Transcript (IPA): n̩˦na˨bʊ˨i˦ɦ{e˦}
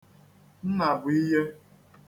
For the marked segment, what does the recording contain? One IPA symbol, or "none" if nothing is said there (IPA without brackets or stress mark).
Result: e˦